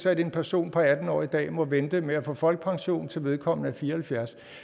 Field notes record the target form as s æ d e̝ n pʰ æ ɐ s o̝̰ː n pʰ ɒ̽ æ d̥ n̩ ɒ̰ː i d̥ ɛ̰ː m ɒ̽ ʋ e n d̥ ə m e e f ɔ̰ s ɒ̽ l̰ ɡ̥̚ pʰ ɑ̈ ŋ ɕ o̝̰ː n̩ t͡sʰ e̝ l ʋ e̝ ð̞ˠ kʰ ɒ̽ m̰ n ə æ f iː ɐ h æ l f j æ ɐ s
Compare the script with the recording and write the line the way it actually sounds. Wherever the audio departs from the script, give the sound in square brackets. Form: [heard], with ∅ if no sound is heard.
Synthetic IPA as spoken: s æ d e̝ n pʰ æ ɐ s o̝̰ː n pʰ ɒ̽ æ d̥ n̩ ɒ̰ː i d̥ ɛ̰ː m ɒ̽ ʋ e n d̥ ə m e [æ] f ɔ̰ [f] ɒ̽ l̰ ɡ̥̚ pʰ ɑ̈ ŋ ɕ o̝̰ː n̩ t͡sʰ e̝ l ʋ e̝ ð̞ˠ kʰ ɒ̽ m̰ n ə æ f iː ɐ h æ l f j æ ɐ s